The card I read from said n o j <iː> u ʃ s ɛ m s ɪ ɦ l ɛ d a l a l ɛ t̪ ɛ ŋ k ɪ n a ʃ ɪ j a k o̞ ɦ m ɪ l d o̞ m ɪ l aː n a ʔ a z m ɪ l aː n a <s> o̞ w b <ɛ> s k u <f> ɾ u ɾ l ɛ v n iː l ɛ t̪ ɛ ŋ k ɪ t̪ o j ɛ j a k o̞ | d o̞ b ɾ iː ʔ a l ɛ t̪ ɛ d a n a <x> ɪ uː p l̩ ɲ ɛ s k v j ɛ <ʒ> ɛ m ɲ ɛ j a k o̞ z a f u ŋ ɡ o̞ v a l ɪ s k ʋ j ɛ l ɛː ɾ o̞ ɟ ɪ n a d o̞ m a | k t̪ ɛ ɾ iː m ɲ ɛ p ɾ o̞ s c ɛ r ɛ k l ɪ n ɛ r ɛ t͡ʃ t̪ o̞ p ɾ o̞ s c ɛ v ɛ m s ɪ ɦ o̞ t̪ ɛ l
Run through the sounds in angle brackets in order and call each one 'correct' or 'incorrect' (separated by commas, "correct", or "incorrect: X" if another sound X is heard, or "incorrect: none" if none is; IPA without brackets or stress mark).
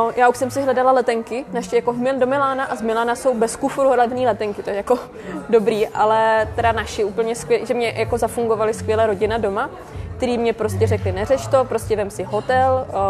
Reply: incorrect: aː, correct, correct, correct, incorrect: ʃ, correct